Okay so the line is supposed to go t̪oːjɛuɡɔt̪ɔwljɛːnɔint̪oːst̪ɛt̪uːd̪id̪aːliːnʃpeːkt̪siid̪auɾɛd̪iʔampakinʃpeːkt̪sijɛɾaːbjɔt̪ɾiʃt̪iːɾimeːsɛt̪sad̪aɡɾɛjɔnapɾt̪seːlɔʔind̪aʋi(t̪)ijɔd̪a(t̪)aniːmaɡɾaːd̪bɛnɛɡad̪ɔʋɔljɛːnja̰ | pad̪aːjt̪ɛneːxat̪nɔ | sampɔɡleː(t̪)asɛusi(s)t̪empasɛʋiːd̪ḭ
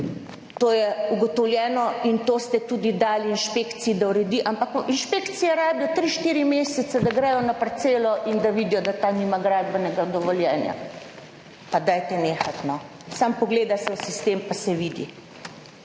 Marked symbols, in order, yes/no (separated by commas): no, yes, no, yes